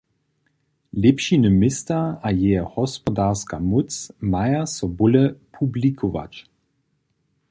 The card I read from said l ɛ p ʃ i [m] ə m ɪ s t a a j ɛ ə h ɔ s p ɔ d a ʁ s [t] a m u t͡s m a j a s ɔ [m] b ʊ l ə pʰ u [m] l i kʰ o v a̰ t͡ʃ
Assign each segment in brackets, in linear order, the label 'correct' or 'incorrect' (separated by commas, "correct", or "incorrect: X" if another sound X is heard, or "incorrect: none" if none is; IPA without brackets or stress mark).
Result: incorrect: n, incorrect: k, incorrect: none, incorrect: b